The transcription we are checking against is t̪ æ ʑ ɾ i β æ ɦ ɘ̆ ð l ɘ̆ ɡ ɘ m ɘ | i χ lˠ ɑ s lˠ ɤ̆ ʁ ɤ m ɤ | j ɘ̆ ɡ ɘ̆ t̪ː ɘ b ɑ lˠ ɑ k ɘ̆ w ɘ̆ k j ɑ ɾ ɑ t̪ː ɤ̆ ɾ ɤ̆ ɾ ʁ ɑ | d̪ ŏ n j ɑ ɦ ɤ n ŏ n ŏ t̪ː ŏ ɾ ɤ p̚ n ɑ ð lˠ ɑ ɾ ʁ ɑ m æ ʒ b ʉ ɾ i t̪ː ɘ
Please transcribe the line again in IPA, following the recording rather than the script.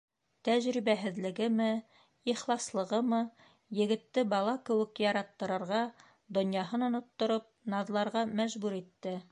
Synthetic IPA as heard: t̪ æ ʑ ɾ i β æ ɦ ɘ̆ ð l ɘ̆ ɡ ɘ m ɘ | i χ lˠ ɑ s lˠ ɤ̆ ʁ ɤ m ɤ | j ɘ̆ ɡ ɘ̆ t̪ː ɘ b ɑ lˠ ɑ k ɘ̆ w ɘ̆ k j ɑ ɾ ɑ t̪ː ɤ̆ ɾ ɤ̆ ɾ ʁ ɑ | d̪ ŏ n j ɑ ɦ ɤ n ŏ n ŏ t̪ː ŏ ɾ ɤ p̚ n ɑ ð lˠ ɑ ɾ ʁ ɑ m æ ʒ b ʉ ɾ i t̪ː ɘ

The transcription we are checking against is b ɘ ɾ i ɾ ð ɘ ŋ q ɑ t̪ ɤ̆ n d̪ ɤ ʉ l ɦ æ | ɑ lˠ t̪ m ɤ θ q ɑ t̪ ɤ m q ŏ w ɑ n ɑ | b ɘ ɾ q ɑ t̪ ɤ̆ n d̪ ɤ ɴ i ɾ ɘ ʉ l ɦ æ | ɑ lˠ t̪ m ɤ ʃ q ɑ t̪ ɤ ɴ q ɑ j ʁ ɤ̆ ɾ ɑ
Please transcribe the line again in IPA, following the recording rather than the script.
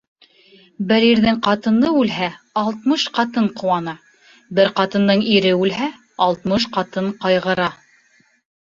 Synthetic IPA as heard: b ɘ ɾ i ɾ ð ɘ ŋ q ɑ t̪ ɤ̆ n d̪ ɤ ʉ l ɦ æ | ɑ lˠ t̪ m ɤ ʃ q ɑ t̪ ɤ ɴ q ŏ w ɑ n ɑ | b ɘ ɾ q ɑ t̪ ɤ̆ n d̪ ɤ ɴ i ɾ ɘ ʉ l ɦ æ | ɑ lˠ t̪ m ɤ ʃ q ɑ t̪ ɤ ɴ q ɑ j ʁ ɤ̆ ɾ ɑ

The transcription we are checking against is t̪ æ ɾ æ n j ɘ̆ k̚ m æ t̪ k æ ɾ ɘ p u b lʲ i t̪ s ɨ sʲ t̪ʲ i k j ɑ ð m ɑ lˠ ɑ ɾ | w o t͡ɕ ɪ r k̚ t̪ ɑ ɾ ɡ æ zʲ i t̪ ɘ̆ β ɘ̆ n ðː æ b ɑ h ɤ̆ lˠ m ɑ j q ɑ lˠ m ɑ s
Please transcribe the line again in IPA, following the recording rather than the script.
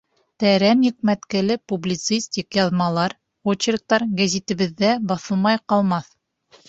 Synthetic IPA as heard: t̪ æ ɾ æ n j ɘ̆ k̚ m æ t̪ k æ l ɘ p u b lʲ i t̪ s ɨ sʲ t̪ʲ i k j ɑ ð m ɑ lˠ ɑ ɾ | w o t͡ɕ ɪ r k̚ t̪ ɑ ɾ ɡ æ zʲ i t̪ ɘ̆ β ɘ̆ ðː æ b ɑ θ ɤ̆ lˠ m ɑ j q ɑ lˠ m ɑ θ

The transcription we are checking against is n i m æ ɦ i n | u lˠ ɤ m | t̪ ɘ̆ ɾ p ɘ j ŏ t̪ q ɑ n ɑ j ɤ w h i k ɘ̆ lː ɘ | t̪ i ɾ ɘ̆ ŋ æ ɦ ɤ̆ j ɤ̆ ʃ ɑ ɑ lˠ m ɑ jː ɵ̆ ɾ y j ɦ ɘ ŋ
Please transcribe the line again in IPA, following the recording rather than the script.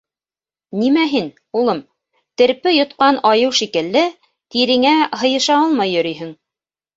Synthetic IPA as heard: n i m æ ɦ i n | u lˠ ɤ m | t̪ ɘ̆ ɾ p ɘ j ŏ t̪ q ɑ n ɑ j ɤ w ʃ i k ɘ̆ lː ɘ | t̪ i ɾ ɘ̆ ŋ æ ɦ ɤ̆ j ɤ̆ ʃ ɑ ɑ lˠ m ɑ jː ɵ̆ ɾ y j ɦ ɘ ŋ

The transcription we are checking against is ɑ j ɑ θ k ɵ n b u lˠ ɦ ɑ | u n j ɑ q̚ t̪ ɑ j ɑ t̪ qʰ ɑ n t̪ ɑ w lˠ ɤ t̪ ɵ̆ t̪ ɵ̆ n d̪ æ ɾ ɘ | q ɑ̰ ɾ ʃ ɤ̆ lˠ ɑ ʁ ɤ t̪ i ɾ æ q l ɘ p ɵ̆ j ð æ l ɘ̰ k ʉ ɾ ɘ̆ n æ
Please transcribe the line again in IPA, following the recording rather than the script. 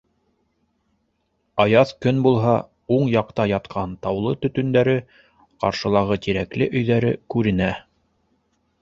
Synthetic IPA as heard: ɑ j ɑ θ k ɵ n b u lˠ ɦ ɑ | u ɴ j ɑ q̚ t̪ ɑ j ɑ t̪ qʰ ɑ n t̪ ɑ w lˠ ɤ t̪ ɵ̆ t̪ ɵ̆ n d̪ æ ɾ ɘ | q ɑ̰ ɾ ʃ ɤ̆ lˠ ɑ ʁ ɤ t̪ i ɾ æ k l ɘ ʔ ɵ̆ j ð æ ɾ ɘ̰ k ʉ ɾ ɘ̆ n æ

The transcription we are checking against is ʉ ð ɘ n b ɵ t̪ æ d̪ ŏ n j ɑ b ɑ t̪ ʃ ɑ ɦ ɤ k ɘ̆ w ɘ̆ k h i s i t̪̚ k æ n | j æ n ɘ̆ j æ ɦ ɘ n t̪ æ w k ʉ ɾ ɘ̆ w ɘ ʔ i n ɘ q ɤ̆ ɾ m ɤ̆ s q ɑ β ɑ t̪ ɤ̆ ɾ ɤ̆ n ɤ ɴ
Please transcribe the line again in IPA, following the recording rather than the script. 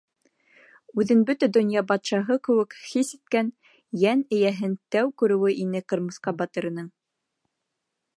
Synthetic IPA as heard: ʉ ð ɘ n b ɵ t̪ æ d̪ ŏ n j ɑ b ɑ t̪ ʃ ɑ ɦ ɤ k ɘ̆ w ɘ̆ k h i s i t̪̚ k æ n | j æ n ɘ̆ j æ ɦ ɘ n t̪ æ w k ʉ ɾ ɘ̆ w ɘ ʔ i n ɘ q ɤ̆ ɾ m ɤ̆ s q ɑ b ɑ t̪ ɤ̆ ɾ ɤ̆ n ɤ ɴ

